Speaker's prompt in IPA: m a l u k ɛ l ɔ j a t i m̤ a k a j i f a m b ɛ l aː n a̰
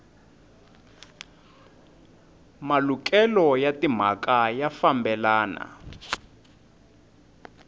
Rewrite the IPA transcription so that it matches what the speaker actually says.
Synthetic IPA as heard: m a l u k ɛ l ɔ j a t i m̤ a k a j a f a m b ɛ l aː n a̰

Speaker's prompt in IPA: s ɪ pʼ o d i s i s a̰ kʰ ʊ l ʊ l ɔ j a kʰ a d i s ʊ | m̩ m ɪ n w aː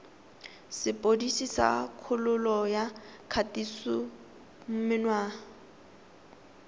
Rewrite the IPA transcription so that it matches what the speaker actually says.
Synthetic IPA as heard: s ɪ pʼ o d i s i s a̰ kʰ ʊ l ʊ l ɔ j a kʰ a t i s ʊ | m̩ m ɪ n w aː

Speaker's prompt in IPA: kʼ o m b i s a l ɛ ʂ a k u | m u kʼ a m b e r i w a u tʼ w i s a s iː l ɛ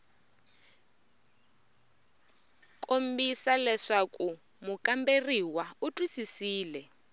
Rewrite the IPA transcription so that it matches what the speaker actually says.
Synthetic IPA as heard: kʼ o m b i s a l ɛ ʂ a k u | m u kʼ a m b e r i w a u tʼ w i s i s iː l ɛ

